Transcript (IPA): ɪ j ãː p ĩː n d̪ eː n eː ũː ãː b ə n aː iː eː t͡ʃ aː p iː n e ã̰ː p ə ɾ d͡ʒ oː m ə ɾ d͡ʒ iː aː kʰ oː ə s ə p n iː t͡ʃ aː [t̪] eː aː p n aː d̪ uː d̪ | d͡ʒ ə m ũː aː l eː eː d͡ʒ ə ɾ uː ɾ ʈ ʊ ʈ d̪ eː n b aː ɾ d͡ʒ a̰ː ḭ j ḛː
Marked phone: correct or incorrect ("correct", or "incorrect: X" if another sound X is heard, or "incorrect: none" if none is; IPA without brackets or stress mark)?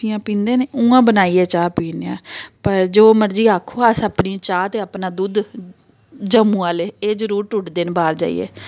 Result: correct